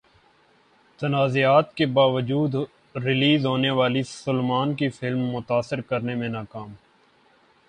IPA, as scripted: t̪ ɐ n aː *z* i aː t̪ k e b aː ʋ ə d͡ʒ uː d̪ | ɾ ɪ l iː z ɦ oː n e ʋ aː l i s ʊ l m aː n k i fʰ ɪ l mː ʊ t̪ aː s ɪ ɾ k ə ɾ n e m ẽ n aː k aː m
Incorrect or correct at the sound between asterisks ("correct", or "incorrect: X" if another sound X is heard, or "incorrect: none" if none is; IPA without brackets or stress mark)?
correct